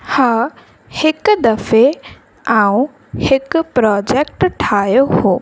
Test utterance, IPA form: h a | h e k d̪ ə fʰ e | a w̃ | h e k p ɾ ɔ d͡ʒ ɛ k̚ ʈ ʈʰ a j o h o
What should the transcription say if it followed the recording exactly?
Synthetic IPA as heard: h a | h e k d̪ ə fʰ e | a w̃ | h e k p ɾ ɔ d͡ʒ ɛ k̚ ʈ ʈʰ a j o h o